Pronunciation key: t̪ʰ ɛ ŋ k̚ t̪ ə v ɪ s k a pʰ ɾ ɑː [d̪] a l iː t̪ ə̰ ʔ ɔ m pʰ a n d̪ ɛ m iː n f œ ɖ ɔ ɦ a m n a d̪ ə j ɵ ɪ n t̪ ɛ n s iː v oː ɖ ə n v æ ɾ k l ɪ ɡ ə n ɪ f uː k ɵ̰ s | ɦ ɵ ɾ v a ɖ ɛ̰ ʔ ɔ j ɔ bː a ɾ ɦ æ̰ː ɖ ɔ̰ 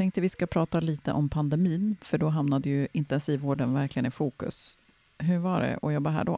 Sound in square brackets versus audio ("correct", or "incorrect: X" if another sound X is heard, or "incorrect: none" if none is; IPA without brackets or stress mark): incorrect: t̪